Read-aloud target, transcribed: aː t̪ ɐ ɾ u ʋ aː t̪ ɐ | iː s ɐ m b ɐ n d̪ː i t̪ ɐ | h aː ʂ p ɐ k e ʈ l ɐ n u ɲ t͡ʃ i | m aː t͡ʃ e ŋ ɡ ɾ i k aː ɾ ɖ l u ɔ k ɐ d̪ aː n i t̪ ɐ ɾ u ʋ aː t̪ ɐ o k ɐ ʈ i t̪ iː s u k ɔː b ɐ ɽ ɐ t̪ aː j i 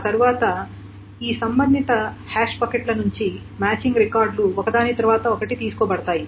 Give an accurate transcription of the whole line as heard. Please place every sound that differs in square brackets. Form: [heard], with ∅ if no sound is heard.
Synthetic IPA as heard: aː t̪ ɐ ɾ u ʋ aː t̪ ɐ | iː s ɐ m b ɐ n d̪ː i t̪ ɐ | h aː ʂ p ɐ k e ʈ l ɐ n u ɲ t͡ʃ i | m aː t͡ʃ [i] ŋ ɡ ɾ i k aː ɾ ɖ l u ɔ k ɐ d̪ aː n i t̪ ɐ ɾ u ʋ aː t̪ ɐ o k ɐ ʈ i t̪ iː s u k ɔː b ɐ ɽ ɐ t̪ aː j i

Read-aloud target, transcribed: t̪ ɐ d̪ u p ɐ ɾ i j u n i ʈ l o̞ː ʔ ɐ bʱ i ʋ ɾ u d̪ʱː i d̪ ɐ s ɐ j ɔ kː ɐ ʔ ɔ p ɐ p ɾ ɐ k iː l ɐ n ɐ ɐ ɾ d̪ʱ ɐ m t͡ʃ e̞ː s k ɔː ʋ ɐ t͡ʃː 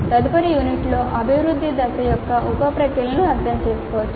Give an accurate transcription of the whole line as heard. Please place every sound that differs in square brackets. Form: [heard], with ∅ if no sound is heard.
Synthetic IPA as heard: t̪ ɐ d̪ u p ɐ ɾ i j u n i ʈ l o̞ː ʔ ɐ bʱ i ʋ ɾ u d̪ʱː i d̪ ɐ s ɐ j ɔ kː ɐ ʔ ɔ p ɐ p ɾ ɐ k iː l ɐ n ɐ ɐ ɾ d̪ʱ ɐ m t͡ʃ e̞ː s k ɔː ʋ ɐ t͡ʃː

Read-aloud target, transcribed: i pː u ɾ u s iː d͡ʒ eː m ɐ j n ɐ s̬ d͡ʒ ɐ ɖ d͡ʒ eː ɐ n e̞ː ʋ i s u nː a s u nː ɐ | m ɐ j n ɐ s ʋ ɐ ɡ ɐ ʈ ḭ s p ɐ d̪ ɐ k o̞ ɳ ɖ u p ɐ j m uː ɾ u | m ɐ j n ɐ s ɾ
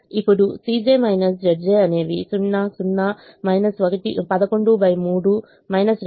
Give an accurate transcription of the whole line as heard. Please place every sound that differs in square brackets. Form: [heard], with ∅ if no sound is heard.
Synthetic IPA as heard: i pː u [ɽ] u s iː d͡ʒ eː m ɐ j n ɐ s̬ d͡ʒ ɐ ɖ d͡ʒ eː ɐ n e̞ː ʋ i s u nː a s u nː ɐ | m ɐ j n ɐ s ʋ ɐ ɡ ɐ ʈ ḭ [∅] p ɐ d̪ ɐ k o̞ ɳ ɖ u [b] ɐ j m uː [ɽ] u | m ɐ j n ɐ s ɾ

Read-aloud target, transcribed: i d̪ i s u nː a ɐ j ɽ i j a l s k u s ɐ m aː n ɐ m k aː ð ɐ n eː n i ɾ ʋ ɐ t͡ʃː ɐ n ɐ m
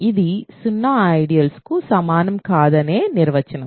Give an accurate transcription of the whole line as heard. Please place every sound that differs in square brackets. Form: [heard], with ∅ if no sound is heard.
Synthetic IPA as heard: i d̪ i s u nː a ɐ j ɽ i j [ɐ] l s k u s ɐ m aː n ɐ m k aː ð ɐ n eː n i ɾ ʋ ɐ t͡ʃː ɐ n ɐ m

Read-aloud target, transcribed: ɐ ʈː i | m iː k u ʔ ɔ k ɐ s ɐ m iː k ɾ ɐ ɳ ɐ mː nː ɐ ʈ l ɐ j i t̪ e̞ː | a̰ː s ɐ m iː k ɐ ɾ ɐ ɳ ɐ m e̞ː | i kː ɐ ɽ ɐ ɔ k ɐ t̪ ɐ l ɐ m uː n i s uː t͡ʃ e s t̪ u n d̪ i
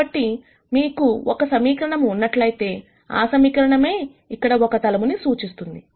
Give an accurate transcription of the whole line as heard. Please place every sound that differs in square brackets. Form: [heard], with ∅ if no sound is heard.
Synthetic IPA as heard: ɐ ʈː i | m iː k u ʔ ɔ k ɐ s ɐ m iː k ɾ ɐ ɳ ɐ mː nː ɐ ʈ l ɐ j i t̪ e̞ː | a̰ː s ɐ m iː k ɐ ɾ ɐ ɳ ɐ m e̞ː | i kː ɐ ɽ ɐ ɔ k ɐ t̪ ɐ l ɐ m [u] n i s uː t͡ʃ [i] s t̪ u n d̪ i

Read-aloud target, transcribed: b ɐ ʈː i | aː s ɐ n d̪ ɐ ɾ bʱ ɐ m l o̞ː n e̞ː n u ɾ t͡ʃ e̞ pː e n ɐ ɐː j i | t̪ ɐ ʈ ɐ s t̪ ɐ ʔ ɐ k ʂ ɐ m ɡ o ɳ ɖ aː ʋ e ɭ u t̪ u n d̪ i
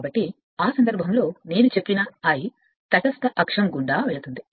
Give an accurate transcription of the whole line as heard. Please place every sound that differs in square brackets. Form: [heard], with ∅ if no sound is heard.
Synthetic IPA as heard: b ɐ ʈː i | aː s ɐ n d̪ ɐ ɾ bʱ ɐ m l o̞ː n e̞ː n u [∅] t͡ʃ e̞ pː [i] n ɐ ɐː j i | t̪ ɐ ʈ ɐ s t̪ ɐ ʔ ɐ k ʂ ɐ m ɡ [u] ɳ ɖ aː ʋ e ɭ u t̪ u n d̪ i

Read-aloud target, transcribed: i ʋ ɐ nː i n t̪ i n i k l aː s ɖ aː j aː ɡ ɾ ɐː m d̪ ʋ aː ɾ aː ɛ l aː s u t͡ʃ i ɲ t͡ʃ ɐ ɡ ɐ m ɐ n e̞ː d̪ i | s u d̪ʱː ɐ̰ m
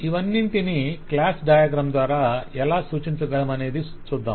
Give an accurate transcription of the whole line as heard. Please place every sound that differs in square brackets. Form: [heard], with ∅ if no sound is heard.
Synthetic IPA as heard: i ʋ ɐ nː i n t̪ i n i k l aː s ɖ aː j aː ɡ ɾ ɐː m d̪ ʋ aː ɾ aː ɛ l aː s [uː] t͡ʃ i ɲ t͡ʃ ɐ ɡ ɐ m ɐ n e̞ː d̪ i | s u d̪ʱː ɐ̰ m

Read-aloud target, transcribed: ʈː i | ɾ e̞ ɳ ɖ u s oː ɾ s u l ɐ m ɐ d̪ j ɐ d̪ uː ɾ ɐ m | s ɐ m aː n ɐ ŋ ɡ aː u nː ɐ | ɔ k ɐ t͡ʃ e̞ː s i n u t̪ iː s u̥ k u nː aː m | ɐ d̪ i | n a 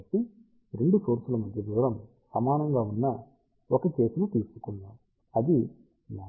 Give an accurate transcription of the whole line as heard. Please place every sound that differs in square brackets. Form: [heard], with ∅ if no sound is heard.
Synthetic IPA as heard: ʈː i | ɾ e̞ ɳ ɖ u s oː ɾ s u l ɐ m ɐ d̪ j ɐ d̪ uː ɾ ɐ m | s ɐ m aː n ɐ ŋ ɡ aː u nː ɐ | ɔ k ɐ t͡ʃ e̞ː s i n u t̪ iː s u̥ k u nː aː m | ɐ d̪ i | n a

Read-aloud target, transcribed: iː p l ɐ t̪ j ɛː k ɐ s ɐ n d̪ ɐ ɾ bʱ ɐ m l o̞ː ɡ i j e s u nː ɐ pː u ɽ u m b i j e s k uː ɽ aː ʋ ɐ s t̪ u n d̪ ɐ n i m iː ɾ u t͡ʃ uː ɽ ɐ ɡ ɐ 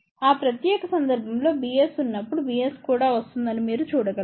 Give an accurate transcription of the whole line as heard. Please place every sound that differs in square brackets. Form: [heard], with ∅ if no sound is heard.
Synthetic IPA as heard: [aː] p [ɾ] ɐ t̪ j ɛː k ɐ s ɐ n d̪ ɐ ɾ bʱ ɐ m l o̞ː [b] i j e s u nː ɐ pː u ɽ u [∅] b i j e s k uː ɽ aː ʋ ɐ s t̪ u n d̪ ɐ n i m iː ɾ u t͡ʃ uː ɽ ɐ ɡ ɐ

